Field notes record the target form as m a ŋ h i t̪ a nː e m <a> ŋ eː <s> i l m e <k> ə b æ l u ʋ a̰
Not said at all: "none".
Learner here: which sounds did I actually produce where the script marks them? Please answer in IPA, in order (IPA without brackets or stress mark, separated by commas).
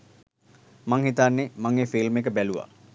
a, f, k